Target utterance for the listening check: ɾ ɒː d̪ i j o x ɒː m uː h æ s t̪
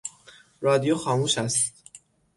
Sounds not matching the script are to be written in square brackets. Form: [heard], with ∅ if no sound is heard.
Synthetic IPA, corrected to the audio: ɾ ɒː d̪ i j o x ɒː m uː [ʃ] æ s t̪